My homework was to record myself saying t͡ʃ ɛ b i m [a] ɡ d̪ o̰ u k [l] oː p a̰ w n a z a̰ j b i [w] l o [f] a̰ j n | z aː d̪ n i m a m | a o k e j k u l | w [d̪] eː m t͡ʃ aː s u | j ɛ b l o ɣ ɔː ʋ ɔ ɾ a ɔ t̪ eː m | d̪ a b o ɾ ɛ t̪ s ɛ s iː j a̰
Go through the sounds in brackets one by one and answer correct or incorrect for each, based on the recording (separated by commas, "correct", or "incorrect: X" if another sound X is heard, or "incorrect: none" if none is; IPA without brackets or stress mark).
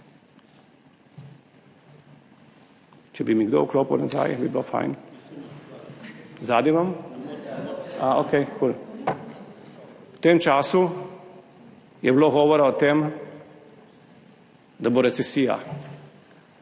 incorrect: i, correct, incorrect: b, correct, incorrect: t̪